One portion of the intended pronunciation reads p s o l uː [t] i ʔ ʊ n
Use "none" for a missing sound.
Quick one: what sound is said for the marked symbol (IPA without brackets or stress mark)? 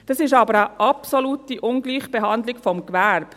t